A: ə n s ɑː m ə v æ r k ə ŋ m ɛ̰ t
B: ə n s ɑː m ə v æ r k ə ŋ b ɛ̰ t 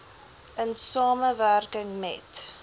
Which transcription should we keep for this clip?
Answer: A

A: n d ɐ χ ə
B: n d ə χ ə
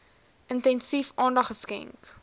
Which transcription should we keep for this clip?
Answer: A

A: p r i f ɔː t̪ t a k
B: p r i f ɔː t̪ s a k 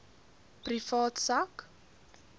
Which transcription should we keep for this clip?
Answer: B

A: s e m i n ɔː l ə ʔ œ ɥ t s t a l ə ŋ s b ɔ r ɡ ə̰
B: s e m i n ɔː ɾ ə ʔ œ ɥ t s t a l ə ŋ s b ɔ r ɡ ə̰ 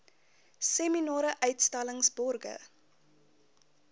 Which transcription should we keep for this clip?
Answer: B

